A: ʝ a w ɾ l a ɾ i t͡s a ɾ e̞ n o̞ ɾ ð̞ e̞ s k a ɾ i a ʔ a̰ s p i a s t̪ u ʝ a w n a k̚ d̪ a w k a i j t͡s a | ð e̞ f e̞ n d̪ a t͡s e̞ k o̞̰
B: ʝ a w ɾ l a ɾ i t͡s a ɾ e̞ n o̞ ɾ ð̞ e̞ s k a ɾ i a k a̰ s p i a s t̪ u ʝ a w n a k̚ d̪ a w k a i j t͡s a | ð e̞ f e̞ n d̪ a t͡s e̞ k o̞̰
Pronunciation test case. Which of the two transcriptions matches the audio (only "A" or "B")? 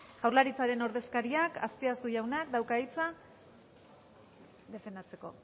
B